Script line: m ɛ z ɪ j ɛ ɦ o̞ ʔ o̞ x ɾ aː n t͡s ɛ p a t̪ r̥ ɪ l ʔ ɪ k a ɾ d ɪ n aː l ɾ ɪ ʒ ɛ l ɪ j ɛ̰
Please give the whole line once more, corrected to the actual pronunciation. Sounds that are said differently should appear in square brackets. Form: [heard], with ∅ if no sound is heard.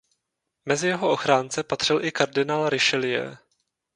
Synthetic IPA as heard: m ɛ z ɪ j ɛ ɦ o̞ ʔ o̞ x ɾ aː n t͡s ɛ p a t̪ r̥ ɪ l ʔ ɪ k a ɾ d ɪ n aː l ɾ ɪ [ʃ] ɛ l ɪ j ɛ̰